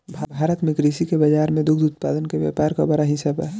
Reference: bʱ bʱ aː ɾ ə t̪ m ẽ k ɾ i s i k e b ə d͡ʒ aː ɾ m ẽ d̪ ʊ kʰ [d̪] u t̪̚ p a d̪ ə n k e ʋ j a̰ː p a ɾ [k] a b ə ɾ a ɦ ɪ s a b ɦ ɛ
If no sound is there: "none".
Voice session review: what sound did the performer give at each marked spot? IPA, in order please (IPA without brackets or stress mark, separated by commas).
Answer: d̪, k